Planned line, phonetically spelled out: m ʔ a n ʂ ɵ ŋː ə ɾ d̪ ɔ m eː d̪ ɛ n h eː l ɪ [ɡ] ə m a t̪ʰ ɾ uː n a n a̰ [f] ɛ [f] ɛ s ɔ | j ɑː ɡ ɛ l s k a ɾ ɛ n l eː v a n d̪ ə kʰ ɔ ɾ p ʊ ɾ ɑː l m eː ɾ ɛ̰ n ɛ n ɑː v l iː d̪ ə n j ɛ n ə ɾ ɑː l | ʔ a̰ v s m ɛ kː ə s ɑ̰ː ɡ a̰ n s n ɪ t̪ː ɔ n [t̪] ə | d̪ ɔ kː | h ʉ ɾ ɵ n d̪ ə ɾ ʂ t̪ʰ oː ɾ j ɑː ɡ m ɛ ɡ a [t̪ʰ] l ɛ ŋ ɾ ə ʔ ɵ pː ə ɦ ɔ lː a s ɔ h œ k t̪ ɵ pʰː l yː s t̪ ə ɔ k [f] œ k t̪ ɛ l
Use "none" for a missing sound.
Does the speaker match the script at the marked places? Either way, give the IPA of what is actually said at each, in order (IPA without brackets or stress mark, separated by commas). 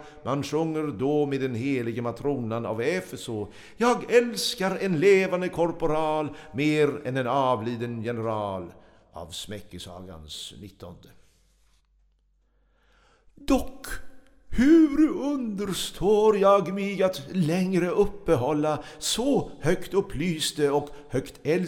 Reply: ɡ, v, f, d̪, t̪, h